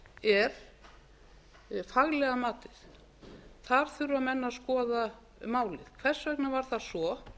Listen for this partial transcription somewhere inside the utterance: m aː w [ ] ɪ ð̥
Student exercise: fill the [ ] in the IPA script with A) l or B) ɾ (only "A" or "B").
A